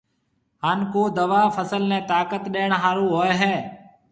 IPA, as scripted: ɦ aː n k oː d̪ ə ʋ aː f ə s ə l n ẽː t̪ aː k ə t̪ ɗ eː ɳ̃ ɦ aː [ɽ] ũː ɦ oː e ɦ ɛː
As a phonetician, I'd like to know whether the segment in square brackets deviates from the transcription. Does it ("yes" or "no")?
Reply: yes